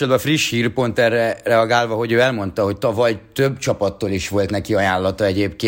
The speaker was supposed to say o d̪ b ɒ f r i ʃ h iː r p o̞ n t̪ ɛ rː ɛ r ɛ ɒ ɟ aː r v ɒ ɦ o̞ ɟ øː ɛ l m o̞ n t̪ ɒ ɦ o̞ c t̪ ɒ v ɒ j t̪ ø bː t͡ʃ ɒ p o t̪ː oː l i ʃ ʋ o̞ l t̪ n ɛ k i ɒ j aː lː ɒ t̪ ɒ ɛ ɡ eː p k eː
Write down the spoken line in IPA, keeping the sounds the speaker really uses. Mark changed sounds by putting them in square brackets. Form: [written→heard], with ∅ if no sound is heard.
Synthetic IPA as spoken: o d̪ b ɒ f r i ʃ h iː r p o̞ n t̪ ɛ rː ɛ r ɛ ɒ [ɟ→ɡ] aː [r→l] v ɒ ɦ o̞ ɟ øː ɛ l m o̞ n t̪ ɒ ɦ o̞ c t̪ ɒ v ɒ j t̪ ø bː t͡ʃ ɒ p [o→ɒ] t̪ː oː l i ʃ ʋ o̞ l t̪ n ɛ k i ɒ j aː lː ɒ t̪ ɒ ɛ [ɡ→ɟ] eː p k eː